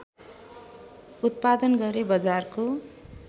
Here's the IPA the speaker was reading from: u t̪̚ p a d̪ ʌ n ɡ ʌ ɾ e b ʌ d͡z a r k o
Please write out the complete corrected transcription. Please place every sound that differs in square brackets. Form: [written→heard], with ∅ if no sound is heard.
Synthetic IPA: u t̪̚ p a d̪ ʌ n ɡ ʌ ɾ e b ʌ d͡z a r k o